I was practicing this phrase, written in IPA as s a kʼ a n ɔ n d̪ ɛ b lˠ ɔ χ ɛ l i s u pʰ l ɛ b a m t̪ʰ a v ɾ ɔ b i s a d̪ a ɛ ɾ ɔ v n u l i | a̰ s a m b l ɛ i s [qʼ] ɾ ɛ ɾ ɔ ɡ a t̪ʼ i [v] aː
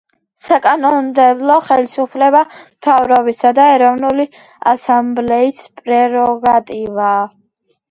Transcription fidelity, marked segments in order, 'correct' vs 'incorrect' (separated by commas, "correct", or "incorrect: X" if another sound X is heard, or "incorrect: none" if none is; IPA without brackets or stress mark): incorrect: pʼ, correct